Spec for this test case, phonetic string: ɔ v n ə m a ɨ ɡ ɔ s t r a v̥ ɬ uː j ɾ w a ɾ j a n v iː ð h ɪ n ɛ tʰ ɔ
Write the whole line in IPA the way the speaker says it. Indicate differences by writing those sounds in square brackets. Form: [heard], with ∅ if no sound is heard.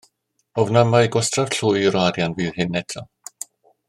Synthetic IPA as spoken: ɔ v n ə m a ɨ ɡ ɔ s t r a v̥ ɬ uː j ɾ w a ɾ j a n v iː ð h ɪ n ɛ tʰ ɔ